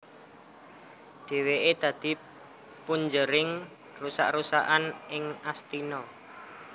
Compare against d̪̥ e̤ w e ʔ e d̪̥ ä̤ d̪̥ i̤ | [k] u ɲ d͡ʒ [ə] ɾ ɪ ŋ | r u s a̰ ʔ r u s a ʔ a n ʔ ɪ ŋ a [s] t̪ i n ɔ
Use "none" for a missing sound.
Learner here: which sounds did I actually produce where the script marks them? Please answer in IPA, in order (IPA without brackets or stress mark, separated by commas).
p, ə, s